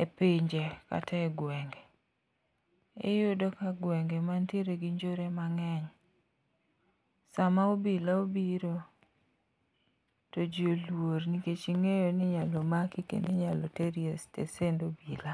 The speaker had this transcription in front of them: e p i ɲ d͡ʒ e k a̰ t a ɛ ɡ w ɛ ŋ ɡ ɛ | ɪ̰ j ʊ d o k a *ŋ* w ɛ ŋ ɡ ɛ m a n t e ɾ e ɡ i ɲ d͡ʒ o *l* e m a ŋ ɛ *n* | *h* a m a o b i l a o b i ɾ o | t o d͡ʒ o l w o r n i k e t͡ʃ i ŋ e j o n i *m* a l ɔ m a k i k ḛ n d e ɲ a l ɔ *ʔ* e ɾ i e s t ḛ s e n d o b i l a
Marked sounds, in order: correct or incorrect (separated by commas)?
incorrect, incorrect, incorrect, incorrect, incorrect, incorrect